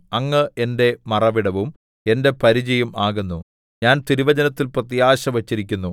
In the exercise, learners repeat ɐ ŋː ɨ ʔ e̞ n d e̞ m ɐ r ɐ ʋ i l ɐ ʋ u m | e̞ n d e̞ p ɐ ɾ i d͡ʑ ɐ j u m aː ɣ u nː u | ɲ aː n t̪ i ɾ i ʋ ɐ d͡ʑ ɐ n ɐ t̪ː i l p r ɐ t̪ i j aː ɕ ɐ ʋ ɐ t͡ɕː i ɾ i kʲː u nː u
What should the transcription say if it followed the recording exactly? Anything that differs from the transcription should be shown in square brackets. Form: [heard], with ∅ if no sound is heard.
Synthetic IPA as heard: ɐ ŋː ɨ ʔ e̞ n d e̞ m ɐ r ɐ ʋ i [ɽ] ɐ ʋ u m | e̞ n d e̞ p ɐ ɾ i d͡ʑ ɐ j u m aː ɣ u nː u | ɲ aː n t̪ i ɾ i ʋ ɐ d͡ʑ ɐ n ɐ t̪ː i l p r ɐ t̪ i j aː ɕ ɐ ʋ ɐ t͡ɕː i ɾ i kʲː u nː u